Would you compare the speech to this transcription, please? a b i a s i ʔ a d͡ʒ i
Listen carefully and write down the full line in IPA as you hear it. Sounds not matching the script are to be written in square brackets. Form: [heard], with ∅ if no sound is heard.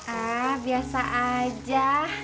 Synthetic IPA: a b i a s [a] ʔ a d͡ʒ [a]